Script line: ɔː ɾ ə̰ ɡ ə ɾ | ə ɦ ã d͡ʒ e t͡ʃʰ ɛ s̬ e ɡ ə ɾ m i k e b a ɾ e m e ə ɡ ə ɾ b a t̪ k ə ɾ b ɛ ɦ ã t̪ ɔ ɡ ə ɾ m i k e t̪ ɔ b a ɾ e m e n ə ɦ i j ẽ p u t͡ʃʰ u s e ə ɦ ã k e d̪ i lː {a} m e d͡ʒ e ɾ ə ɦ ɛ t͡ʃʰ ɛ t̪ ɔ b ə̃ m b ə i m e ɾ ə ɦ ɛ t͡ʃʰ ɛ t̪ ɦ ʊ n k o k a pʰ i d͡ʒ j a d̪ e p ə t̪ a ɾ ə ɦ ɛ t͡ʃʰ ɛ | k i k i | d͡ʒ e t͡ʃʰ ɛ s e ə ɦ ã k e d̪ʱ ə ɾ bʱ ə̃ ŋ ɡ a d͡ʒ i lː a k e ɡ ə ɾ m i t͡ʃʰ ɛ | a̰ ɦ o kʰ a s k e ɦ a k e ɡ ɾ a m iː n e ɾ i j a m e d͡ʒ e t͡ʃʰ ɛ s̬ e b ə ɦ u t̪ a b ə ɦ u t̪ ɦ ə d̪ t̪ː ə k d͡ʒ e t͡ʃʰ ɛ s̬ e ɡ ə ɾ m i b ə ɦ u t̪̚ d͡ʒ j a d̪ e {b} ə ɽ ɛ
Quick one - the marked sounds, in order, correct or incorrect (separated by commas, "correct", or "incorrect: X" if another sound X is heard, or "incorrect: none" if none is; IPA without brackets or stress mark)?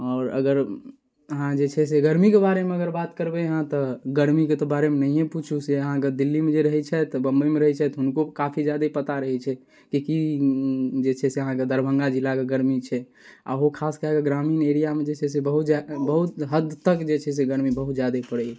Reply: incorrect: i, incorrect: p